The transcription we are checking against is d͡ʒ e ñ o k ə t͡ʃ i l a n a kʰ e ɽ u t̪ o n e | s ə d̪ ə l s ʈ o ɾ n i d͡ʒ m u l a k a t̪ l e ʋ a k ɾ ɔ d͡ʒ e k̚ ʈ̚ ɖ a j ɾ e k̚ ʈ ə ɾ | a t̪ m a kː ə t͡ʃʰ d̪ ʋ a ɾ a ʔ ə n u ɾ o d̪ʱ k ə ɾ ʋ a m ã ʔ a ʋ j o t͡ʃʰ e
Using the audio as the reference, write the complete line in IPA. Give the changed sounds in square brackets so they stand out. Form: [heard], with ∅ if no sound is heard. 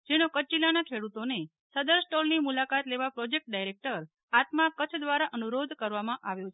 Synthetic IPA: d͡ʒ e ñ o k ə t͡ʃ i l a n a kʰ e ɽ u t̪ o n e | s ə d̪ ə [ɾ] s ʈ o [l] n i [∅] m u l a k a t̪ l e ʋ a [p] ɾ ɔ d͡ʒ e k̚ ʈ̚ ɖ a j ɾ e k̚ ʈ ə ɾ | a t̪ m a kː ə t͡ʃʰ d̪ ʋ a ɾ a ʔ ə n u ɾ o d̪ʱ k ə ɾ ʋ a m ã ʔ a ʋ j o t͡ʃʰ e